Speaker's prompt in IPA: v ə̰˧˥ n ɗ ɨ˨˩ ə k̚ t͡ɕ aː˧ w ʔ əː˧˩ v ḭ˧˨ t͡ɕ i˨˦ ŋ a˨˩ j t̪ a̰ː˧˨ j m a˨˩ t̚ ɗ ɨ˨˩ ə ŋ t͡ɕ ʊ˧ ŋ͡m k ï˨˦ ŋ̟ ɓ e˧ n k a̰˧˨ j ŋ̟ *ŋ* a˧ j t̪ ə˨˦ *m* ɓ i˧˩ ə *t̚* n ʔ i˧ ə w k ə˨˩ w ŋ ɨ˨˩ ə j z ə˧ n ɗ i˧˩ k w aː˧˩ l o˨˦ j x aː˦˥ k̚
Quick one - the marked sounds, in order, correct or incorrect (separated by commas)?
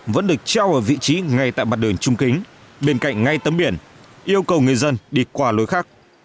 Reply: correct, correct, incorrect